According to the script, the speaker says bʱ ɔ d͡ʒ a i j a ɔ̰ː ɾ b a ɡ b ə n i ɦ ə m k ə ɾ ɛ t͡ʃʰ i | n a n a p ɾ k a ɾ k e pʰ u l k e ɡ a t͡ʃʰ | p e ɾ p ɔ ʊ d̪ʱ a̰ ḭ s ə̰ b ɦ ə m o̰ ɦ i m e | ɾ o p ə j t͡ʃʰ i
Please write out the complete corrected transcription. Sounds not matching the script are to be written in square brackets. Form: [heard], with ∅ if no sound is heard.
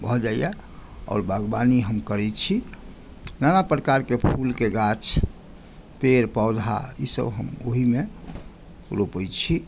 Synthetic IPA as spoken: bʱ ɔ d͡ʒ a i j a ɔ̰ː ɾ b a ɡ b [a] n i ɦ ə m k ə ɾ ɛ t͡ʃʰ i | n a n a p ɾ k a ɾ k e pʰ u l k e ɡ a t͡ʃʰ | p e ɾ p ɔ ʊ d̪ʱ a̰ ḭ s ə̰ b ɦ ə m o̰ ɦ i m e | ɾ o p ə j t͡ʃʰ i

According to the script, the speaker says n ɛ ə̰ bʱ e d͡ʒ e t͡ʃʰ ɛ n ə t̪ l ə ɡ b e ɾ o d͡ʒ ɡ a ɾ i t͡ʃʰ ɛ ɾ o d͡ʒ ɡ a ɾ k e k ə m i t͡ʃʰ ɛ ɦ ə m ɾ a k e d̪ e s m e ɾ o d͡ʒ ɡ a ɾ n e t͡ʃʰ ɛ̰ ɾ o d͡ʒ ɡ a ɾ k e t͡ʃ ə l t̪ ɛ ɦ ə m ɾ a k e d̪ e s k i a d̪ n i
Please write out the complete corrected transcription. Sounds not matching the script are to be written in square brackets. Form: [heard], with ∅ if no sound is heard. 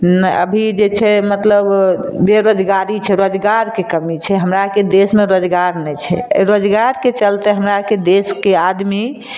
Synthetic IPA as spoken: n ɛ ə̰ bʱ [i] d͡ʒ e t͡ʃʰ ɛ [m] ə t̪ l ə [b] b e ɾ o d͡ʒ ɡ a ɾ i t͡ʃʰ ɛ ɾ o d͡ʒ ɡ a ɾ k e k ə m i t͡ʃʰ ɛ ɦ ə m ɾ a k e d̪ e s m e ɾ o d͡ʒ ɡ a ɾ n [ɛ] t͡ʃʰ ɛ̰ ɾ o d͡ʒ ɡ a ɾ k e t͡ʃ ə l t̪ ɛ ɦ ə m ɾ a k e d̪ e s k [e] a d̪ [m] i

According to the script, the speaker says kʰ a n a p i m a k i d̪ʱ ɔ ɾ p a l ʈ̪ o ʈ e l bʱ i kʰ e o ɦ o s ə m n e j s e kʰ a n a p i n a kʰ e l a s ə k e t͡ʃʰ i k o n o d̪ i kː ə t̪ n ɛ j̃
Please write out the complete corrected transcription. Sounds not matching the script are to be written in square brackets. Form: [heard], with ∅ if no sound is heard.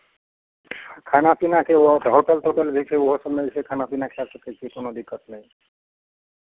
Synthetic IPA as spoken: kʰ a n a p i [n] a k [e] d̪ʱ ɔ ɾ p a l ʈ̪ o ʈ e l bʱ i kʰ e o ɦ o s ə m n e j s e kʰ a n a p i n a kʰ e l a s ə k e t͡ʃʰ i k o n o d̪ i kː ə t̪ n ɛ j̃

